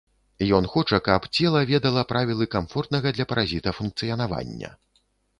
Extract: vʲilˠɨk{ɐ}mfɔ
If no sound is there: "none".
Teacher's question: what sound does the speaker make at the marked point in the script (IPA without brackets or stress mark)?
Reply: a